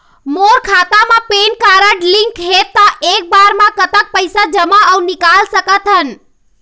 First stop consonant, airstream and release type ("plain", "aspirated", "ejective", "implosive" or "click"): aspirated